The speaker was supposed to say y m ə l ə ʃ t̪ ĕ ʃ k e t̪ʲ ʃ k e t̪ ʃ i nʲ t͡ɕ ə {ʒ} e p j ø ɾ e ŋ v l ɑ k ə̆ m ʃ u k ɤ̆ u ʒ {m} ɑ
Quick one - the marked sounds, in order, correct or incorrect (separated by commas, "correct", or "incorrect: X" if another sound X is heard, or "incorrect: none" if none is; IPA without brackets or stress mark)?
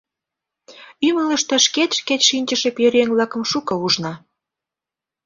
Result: incorrect: ʃ, incorrect: n